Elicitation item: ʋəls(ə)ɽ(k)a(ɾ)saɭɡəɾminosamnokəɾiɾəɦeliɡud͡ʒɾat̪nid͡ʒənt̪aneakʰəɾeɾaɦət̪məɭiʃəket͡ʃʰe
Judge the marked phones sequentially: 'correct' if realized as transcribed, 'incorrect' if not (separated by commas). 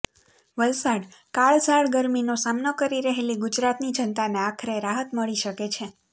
incorrect, correct, incorrect